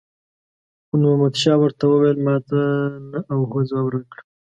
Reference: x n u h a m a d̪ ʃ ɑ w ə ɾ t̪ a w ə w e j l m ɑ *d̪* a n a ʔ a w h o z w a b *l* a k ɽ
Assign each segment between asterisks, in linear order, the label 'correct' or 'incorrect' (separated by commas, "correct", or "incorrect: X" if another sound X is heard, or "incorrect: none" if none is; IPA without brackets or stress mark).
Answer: incorrect: t̪, incorrect: ɾ